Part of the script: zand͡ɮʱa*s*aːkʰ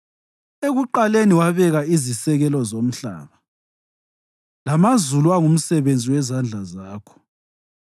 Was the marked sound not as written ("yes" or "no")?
yes